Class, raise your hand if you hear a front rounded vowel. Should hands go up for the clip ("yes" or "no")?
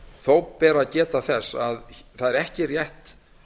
no